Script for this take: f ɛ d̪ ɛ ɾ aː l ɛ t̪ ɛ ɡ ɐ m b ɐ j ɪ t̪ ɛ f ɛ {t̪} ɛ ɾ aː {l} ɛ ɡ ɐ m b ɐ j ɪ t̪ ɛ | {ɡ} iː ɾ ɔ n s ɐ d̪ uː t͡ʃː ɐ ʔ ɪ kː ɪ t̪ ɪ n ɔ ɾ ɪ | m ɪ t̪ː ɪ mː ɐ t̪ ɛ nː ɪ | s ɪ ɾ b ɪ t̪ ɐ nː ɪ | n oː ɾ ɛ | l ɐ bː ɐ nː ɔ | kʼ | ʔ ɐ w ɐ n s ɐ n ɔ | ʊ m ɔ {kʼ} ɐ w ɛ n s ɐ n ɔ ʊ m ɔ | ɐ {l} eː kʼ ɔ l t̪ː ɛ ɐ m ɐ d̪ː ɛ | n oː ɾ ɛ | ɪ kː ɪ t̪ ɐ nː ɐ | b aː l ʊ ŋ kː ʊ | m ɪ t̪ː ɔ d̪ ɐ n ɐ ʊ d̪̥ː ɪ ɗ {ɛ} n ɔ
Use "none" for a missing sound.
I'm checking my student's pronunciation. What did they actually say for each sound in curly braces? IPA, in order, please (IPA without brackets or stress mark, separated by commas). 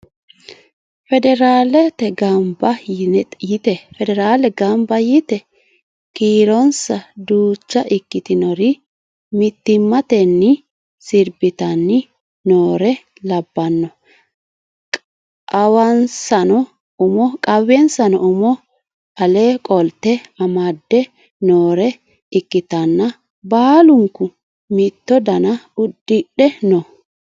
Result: d̪, l, k, kʼ, l, ɛ